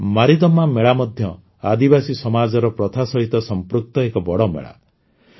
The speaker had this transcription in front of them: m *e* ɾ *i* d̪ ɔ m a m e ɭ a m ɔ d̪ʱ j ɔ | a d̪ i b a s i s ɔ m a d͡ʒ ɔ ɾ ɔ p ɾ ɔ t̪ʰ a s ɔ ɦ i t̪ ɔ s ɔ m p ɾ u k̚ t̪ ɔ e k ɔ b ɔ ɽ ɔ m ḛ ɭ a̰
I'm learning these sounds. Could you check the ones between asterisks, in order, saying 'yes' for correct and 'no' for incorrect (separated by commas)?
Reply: no, yes